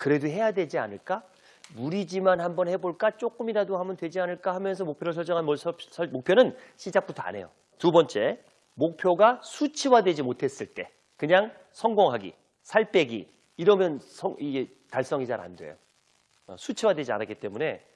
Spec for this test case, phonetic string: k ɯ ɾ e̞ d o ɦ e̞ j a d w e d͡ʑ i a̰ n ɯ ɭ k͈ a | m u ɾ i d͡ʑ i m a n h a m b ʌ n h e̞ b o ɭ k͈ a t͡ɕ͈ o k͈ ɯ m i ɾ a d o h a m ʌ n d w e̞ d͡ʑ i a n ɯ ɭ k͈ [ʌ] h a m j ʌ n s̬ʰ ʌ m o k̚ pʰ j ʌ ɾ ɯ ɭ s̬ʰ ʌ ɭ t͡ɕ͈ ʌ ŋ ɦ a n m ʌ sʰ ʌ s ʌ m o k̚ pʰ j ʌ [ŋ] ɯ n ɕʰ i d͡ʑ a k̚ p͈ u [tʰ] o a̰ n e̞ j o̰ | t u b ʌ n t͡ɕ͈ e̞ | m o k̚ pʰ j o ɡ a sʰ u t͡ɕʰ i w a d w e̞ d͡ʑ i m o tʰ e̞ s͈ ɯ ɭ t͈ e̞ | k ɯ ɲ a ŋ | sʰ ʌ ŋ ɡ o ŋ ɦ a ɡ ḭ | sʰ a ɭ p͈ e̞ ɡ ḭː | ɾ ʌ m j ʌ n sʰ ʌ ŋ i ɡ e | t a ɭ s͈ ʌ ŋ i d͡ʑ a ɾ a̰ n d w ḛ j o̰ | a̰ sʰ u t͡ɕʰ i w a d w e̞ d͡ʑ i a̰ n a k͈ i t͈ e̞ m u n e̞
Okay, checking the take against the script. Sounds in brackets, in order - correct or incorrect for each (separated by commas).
incorrect, incorrect, correct